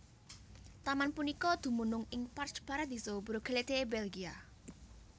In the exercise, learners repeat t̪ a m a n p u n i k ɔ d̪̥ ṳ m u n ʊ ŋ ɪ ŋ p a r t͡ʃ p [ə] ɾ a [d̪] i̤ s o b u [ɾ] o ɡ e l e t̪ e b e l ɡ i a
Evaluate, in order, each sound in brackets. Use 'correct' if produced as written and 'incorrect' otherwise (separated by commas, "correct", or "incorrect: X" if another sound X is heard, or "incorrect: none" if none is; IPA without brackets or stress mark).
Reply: incorrect: a, correct, correct